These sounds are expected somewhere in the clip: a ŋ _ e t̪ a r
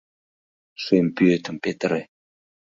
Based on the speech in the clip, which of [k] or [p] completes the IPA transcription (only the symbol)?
p